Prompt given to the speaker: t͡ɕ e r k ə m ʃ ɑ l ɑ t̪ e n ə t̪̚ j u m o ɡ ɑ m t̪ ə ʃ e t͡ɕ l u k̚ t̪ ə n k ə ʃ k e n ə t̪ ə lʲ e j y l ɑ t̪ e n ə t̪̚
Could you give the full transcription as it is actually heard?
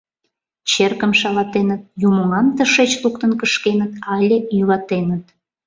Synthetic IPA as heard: t͡ɕ e r k ə m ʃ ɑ l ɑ t̪ e n ə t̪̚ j u m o ŋ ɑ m t̪ ə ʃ e t͡ɕ l u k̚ t̪ ə n k ə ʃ k e n ə t̪ ɑ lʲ e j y l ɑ t̪ e n ə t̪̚